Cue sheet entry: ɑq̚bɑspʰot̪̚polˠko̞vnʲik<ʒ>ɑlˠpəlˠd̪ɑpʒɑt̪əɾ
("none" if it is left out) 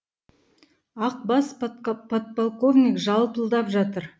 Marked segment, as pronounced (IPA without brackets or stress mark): ʒ